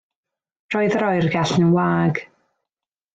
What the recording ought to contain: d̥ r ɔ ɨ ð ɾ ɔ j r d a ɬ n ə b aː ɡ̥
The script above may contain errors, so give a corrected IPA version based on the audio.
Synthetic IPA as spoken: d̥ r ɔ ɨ ð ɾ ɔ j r ɡ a ɬ n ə w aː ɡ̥